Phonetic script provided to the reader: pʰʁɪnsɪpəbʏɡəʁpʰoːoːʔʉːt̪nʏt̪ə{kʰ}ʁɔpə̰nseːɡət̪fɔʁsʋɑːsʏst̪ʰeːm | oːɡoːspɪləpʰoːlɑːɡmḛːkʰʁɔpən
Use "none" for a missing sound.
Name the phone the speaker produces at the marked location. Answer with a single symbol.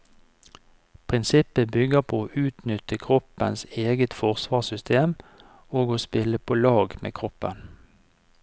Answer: kʰ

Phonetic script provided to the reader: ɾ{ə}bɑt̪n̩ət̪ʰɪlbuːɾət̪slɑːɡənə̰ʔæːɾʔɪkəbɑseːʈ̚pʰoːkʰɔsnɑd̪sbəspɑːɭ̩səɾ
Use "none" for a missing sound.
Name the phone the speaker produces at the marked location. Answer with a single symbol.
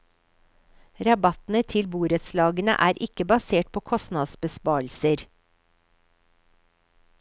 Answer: ɑ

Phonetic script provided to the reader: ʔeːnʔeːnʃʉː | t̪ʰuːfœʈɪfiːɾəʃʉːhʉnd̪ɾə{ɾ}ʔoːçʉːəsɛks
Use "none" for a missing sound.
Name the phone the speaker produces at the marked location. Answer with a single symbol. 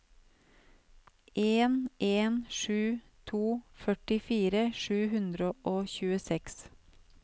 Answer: none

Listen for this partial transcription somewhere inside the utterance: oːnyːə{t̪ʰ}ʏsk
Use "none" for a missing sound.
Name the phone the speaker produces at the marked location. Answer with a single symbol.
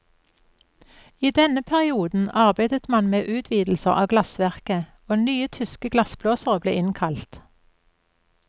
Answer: t̪ʰ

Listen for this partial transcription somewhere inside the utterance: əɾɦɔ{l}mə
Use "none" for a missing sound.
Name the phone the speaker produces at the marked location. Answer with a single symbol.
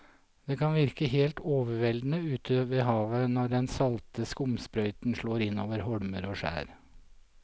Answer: ɽ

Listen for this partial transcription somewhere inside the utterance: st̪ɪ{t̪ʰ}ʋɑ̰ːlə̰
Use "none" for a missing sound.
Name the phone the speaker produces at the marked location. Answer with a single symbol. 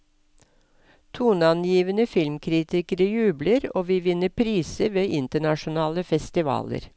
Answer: none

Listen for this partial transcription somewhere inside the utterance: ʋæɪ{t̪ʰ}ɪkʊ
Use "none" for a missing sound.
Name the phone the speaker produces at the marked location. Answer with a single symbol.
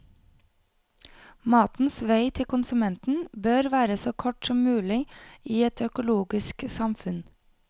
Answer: t̪ʰ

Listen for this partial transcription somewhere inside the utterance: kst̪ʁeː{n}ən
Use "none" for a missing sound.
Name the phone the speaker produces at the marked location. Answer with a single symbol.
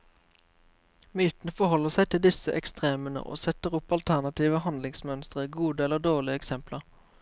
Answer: m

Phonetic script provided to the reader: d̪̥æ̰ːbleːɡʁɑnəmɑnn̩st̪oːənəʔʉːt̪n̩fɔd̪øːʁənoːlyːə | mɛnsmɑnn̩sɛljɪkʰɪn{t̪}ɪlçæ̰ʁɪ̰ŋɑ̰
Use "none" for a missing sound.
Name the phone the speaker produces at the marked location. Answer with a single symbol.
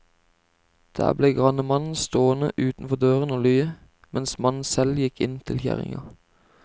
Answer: t̪ʰ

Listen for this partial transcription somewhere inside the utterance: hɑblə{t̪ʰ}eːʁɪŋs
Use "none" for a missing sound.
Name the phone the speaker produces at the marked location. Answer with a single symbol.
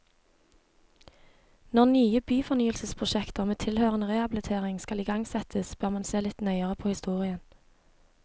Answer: t̪ʰ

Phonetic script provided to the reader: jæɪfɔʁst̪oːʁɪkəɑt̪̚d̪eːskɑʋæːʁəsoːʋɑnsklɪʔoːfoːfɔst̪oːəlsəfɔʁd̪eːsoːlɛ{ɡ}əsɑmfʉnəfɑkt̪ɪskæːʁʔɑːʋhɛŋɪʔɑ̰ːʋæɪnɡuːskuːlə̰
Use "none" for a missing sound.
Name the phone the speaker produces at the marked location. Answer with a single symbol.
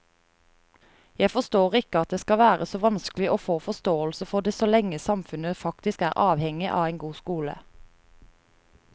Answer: ŋ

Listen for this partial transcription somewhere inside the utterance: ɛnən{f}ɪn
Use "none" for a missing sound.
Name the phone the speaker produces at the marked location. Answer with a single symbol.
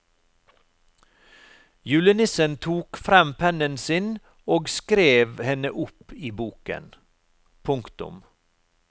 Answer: s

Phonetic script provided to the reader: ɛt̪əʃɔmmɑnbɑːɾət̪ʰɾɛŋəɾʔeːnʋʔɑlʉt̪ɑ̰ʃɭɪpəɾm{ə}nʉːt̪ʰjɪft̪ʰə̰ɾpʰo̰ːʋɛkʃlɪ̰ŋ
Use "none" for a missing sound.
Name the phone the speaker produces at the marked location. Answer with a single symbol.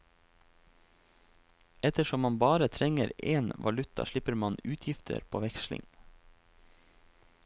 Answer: ɑ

